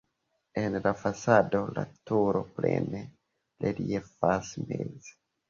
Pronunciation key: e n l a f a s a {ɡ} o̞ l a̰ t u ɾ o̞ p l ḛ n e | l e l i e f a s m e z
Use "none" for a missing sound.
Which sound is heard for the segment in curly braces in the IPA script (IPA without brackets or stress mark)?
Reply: d